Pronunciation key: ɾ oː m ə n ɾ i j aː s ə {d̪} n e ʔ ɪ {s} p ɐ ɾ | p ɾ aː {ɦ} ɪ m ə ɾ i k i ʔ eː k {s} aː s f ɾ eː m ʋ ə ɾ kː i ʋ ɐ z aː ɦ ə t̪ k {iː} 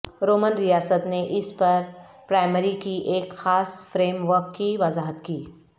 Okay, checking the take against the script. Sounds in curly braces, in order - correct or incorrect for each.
incorrect: t̪, correct, incorrect: none, incorrect: x, correct

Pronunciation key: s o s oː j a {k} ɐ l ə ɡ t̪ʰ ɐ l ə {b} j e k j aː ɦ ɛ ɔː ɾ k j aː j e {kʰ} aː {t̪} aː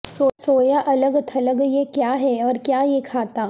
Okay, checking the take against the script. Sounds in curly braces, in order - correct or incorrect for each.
incorrect: ʔ, incorrect: ɡ, correct, correct

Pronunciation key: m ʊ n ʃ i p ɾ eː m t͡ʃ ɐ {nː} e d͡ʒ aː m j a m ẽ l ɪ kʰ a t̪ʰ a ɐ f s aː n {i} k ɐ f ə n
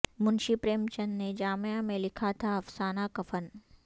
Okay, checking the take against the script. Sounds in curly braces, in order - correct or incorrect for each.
correct, incorrect: a

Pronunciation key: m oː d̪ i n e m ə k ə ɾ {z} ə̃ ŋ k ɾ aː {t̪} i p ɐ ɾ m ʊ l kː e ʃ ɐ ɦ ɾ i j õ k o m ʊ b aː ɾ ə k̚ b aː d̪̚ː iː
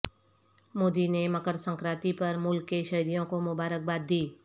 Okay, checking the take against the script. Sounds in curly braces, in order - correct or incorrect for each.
incorrect: s, correct

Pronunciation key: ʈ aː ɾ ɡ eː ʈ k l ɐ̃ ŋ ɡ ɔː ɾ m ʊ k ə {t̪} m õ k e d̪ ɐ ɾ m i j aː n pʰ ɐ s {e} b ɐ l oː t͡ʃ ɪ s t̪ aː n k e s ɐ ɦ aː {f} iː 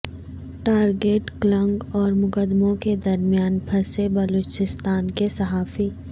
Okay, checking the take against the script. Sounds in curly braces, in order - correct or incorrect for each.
incorrect: d̪, correct, correct

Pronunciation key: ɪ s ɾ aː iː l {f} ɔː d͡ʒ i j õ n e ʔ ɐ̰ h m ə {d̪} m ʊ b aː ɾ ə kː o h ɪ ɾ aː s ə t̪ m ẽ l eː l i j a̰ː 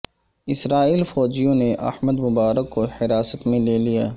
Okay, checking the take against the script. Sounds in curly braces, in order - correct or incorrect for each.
correct, correct

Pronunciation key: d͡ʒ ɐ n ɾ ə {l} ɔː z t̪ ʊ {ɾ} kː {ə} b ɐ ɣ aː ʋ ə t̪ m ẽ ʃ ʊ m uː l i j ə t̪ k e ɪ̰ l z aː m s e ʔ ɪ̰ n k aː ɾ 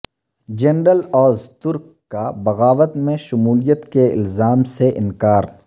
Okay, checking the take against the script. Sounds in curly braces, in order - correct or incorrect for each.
correct, correct, incorrect: a

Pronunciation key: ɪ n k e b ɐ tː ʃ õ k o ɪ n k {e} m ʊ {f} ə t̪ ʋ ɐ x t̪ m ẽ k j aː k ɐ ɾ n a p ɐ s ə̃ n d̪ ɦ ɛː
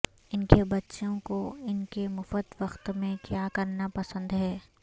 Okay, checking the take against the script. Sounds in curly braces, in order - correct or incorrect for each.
correct, correct

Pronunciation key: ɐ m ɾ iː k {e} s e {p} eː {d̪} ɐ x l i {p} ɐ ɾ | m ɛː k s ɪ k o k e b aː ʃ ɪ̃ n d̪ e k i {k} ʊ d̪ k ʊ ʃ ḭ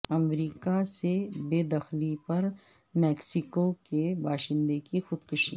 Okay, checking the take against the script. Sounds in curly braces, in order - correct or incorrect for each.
incorrect: a, incorrect: b, correct, correct, incorrect: x

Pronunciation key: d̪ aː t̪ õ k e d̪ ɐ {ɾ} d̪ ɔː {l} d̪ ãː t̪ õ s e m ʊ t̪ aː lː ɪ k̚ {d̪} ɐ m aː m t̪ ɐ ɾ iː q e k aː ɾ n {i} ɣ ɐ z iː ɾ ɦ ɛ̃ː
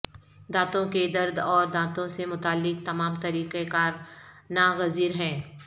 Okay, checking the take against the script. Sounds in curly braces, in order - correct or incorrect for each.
correct, incorrect: ɾ, incorrect: t̪, incorrect: a

